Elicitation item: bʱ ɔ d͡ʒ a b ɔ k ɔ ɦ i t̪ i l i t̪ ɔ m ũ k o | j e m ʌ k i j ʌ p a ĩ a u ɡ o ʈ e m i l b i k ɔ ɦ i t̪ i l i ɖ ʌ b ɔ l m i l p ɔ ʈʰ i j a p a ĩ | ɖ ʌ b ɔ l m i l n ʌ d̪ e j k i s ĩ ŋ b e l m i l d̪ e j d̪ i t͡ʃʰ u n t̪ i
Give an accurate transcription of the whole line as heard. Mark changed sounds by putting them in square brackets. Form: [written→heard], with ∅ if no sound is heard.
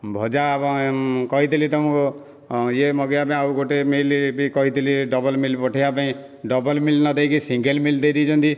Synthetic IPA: bʱ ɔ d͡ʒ a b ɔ k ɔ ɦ i t̪ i l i t̪ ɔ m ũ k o | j e m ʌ [k→ɡ] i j [ʌ→a] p a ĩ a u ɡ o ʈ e m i l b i k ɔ ɦ i t̪ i l i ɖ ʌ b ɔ l m i l p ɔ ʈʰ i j a p a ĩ | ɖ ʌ b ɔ l m i l n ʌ d̪ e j k i s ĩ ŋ [b→ɡ] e l m i l d̪ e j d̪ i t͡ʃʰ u n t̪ i